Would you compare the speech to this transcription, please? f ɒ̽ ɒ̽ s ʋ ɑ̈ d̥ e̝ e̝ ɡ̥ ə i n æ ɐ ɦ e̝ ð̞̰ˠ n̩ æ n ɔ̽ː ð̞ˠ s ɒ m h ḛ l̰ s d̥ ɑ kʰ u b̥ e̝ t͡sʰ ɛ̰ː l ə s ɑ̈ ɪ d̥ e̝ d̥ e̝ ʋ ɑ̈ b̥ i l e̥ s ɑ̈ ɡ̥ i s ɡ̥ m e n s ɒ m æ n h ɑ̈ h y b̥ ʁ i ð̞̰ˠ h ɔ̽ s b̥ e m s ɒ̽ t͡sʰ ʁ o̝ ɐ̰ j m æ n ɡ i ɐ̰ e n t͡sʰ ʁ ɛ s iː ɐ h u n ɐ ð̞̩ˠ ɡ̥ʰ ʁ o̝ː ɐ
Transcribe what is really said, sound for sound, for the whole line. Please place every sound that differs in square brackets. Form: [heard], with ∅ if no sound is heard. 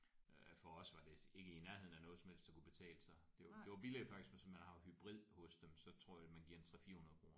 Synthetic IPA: f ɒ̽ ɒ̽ s ʋ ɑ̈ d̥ e̝ e̝ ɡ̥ ə i n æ ɐ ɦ e̝ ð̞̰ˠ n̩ æ n ɔ̽ː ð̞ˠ s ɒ m h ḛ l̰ s d̥ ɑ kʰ u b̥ e̝ t͡sʰ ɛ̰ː l ə s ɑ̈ ɪ d̥ e̝ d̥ e̝ ʋ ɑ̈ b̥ i l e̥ [f] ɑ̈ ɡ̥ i s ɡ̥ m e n s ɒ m æ n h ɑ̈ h y b̥ ʁ i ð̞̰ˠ h ɔ̽ s [d̥] e m s ɒ̽ t͡sʰ ʁ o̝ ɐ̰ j m æ n ɡ i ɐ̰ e n t͡sʰ ʁ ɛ [f] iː ɐ h u n ɐ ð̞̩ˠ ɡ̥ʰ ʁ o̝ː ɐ